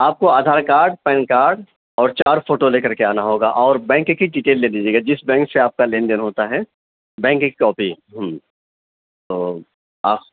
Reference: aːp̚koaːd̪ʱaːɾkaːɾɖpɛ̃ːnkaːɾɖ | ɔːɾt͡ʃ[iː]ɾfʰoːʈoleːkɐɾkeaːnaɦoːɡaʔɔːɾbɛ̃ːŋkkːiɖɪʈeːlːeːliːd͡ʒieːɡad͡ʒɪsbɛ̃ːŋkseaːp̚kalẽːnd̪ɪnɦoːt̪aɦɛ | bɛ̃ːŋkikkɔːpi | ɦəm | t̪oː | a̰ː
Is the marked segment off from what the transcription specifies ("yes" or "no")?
yes